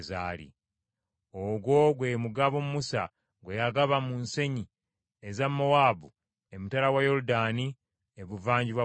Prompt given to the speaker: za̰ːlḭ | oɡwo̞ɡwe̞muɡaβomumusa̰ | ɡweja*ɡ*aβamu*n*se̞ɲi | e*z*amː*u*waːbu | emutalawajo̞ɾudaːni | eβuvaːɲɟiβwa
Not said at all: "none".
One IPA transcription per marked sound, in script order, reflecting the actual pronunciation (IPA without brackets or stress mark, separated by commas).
ɡ, n, z, o